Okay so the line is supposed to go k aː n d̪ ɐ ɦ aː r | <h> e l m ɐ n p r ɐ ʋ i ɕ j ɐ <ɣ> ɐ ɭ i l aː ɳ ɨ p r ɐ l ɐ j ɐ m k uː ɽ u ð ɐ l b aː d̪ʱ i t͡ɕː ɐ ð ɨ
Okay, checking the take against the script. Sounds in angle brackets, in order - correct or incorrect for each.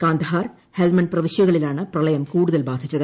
correct, correct

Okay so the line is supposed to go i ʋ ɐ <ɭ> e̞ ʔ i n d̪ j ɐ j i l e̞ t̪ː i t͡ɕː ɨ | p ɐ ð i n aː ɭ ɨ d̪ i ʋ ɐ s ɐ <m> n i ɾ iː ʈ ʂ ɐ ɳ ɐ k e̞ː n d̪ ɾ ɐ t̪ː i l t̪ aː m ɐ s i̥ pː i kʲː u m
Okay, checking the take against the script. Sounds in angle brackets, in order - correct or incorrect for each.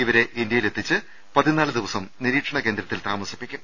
incorrect: ɾ, correct

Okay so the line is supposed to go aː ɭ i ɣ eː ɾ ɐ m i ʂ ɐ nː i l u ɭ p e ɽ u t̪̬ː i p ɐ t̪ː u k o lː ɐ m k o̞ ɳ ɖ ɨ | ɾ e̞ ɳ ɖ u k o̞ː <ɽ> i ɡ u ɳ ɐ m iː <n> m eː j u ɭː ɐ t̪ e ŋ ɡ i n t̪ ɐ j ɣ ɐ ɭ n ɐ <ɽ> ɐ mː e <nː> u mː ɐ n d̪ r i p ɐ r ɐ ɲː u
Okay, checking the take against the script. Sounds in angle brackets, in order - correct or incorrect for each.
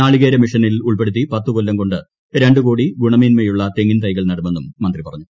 correct, correct, correct, correct

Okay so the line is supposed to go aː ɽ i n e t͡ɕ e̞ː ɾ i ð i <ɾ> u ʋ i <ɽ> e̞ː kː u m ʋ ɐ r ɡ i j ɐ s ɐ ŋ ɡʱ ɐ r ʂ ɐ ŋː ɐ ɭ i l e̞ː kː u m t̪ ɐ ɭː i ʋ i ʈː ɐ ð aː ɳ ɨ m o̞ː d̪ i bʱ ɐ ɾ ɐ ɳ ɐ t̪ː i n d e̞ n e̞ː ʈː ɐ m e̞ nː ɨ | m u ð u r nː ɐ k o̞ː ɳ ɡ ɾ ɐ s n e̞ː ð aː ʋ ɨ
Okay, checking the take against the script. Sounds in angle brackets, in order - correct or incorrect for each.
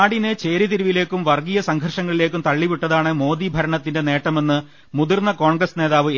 correct, incorrect: l

